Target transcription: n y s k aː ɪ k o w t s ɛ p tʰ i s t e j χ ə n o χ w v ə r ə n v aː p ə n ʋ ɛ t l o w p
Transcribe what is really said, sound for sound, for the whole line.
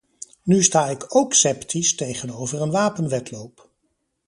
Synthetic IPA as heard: n y s t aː ɪ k o w k s ɛ p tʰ i s t e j χ ə n o w v ə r ə n ʋ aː p ə n ʋ ɛ t l o w p